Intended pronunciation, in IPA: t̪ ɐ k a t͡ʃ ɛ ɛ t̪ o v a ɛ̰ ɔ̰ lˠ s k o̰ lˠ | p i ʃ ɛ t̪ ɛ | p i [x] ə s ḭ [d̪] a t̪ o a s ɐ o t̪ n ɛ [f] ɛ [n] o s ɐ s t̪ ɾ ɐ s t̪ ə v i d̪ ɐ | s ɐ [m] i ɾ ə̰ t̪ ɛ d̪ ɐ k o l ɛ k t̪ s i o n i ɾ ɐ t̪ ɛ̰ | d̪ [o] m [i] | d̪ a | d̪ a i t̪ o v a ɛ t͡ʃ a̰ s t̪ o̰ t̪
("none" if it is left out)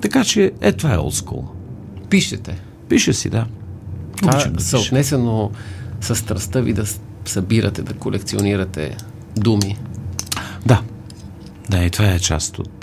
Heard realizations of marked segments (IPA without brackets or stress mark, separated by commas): ʃ, d̪, s, n, b, u, i